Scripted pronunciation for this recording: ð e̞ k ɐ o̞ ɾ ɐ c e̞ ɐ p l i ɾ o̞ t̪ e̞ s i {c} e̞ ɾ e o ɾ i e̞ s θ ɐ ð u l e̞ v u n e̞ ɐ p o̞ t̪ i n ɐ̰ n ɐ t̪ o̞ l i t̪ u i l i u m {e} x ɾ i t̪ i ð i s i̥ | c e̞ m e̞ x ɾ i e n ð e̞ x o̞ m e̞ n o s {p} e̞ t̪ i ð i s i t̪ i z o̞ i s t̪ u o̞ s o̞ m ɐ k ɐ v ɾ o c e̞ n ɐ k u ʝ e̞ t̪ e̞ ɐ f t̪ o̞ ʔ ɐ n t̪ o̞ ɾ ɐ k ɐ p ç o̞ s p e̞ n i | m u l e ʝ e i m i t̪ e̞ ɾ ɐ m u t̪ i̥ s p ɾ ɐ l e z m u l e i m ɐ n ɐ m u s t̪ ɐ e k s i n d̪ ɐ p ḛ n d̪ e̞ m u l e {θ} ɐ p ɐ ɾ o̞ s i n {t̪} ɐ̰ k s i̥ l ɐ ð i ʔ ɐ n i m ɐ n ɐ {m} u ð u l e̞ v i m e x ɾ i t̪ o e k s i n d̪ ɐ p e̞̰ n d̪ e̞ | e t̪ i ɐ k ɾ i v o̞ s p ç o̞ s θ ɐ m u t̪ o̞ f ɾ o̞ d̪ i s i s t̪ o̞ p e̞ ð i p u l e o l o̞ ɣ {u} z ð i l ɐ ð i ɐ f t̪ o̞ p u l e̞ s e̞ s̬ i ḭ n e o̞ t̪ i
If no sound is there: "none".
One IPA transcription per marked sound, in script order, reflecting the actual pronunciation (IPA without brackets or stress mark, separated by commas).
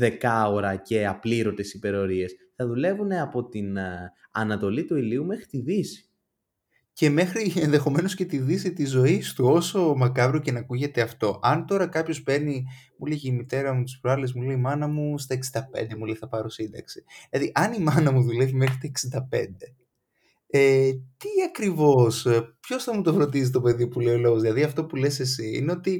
p, e, c, θ, d̪, m, o